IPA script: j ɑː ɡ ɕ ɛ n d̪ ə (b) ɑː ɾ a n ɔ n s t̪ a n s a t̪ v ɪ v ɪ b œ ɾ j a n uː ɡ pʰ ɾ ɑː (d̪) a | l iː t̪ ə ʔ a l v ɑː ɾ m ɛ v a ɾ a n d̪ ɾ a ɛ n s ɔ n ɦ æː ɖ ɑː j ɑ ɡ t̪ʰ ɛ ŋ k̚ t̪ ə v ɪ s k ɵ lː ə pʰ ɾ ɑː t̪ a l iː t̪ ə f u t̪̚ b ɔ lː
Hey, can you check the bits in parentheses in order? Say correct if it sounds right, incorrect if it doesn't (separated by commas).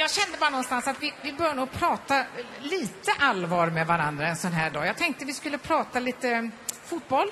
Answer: correct, incorrect